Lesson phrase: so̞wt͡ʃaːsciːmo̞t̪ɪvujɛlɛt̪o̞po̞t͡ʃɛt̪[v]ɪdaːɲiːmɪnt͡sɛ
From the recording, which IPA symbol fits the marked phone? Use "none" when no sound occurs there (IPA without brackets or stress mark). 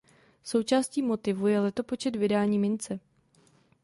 v